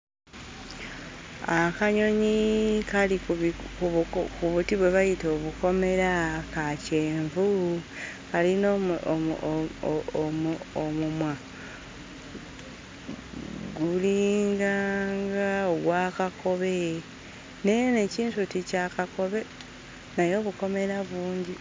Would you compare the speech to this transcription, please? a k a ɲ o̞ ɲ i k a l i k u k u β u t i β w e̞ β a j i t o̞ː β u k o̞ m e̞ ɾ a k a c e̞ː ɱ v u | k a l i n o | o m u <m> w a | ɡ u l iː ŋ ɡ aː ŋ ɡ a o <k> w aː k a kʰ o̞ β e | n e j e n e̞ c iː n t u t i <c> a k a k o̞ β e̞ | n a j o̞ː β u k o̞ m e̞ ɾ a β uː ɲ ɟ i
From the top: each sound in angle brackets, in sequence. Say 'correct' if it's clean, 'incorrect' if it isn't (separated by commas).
correct, incorrect, correct